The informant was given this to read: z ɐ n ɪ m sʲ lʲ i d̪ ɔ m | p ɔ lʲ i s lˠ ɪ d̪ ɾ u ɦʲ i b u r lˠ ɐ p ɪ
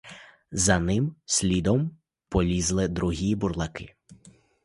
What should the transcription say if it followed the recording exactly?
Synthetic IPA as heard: z ɐ n ɪ m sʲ lʲ i d̪ ɔ m | p ɔ lʲ i z lˠ ɪ d̪ ɾ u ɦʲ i b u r lˠ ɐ k ɪ